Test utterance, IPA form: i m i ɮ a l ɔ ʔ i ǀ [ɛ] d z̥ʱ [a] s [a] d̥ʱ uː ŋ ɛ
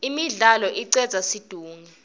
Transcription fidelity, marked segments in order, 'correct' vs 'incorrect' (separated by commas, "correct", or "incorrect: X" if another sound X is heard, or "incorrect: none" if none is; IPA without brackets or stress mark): correct, correct, incorrect: i